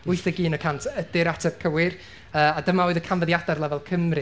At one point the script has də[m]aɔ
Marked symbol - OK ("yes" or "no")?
yes